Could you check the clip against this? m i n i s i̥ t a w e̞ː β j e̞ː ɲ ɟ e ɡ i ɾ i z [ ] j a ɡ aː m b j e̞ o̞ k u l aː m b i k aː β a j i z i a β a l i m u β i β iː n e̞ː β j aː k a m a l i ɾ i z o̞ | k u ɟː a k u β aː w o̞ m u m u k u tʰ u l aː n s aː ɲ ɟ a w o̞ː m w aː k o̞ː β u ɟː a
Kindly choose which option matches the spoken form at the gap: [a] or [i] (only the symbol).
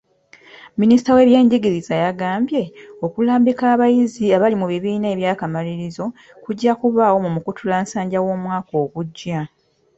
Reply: a